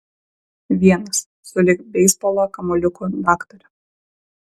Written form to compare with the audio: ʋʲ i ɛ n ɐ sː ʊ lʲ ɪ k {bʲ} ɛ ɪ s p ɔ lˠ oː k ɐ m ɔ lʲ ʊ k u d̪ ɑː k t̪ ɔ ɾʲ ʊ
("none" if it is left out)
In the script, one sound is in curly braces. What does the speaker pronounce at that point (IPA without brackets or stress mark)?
bʲ